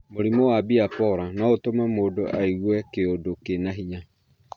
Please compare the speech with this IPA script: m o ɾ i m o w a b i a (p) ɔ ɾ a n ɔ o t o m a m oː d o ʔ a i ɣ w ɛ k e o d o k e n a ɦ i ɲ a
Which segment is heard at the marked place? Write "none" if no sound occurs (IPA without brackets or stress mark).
p